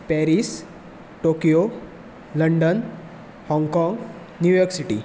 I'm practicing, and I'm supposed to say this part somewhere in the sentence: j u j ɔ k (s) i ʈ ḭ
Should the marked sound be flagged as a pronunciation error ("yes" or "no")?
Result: no